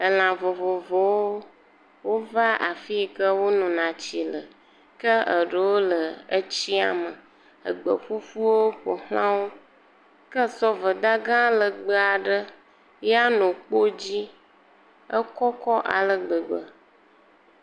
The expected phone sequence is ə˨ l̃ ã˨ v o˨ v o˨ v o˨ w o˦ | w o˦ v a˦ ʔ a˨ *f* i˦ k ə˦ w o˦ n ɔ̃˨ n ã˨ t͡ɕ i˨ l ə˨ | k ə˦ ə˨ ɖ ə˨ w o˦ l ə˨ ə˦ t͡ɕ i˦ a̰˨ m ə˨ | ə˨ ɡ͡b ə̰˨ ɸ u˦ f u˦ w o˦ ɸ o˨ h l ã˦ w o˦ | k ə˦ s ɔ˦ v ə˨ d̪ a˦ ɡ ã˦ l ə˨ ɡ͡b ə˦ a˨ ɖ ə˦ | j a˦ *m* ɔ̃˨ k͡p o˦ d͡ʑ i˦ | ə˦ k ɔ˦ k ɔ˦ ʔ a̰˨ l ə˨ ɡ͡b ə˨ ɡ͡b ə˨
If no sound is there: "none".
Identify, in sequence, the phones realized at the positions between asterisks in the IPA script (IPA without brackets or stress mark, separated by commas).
f, n